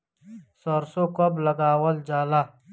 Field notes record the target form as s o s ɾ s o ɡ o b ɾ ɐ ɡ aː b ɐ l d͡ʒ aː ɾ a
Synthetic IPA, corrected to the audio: s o ɾ s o k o b l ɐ ɡ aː w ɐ l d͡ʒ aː l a